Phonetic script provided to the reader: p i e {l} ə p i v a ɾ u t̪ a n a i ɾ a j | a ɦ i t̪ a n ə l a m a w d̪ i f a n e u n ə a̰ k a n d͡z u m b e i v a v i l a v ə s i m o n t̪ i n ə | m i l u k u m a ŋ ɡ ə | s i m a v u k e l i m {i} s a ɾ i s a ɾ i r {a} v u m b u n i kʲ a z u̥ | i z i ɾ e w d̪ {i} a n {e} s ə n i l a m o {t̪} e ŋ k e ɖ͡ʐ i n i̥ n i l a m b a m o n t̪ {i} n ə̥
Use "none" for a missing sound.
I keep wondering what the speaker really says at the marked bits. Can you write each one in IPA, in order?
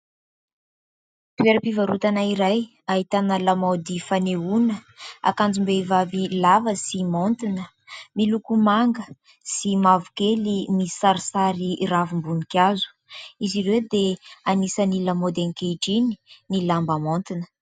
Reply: ɾ, i, a, e, i, d̪, i

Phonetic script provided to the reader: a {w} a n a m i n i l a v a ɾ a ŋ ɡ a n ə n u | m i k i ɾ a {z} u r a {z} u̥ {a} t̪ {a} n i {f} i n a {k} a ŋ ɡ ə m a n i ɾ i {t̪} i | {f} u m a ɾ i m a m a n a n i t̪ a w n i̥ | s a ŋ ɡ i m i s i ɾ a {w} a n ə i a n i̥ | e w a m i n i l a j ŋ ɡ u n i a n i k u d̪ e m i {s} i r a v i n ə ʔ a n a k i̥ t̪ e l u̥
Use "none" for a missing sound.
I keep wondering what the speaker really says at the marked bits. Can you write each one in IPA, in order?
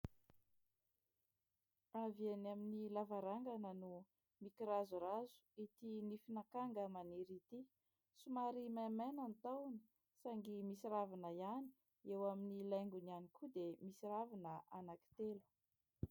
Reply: v, z, z, i, i, f, k, t̪, s, v, s

